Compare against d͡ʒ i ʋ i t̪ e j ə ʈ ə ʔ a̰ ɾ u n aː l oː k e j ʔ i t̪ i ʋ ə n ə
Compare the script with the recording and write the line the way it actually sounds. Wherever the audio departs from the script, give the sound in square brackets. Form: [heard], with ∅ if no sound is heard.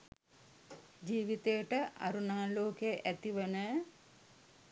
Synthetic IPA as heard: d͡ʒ [iː] ʋ i t̪ e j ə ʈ ə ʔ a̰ ɾ u n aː l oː k e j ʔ [æ] t̪ i ʋ ə n ə